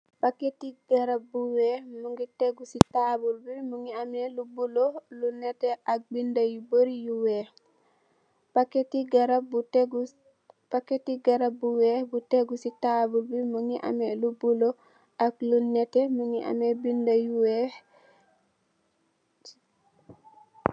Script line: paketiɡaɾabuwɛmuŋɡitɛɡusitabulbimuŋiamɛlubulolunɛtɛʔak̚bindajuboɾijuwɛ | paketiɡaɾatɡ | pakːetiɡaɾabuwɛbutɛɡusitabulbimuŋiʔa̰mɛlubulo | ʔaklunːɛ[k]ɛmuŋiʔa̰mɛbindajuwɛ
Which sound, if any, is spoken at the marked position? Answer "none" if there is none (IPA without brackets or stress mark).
t